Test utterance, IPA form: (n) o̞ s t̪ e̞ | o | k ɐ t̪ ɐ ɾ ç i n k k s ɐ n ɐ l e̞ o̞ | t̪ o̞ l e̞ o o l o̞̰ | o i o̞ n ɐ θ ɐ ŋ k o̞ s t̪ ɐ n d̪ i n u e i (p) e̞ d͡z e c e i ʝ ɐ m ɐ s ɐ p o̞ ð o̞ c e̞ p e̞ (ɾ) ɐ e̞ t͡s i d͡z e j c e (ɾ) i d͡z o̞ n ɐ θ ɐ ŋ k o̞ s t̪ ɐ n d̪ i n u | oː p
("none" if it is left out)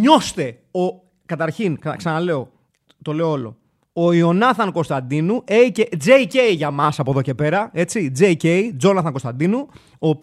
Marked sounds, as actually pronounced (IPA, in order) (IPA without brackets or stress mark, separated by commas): ɲ, c, ɾ, none